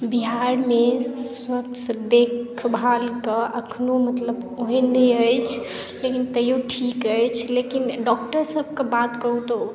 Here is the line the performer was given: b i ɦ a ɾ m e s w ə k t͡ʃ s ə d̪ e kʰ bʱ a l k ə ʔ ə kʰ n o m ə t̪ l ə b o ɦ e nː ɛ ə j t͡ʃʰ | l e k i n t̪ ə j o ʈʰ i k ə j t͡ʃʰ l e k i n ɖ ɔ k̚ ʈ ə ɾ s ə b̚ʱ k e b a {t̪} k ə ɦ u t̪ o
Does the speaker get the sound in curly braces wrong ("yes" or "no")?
no